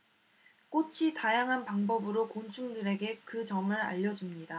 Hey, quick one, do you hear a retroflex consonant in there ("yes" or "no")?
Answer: no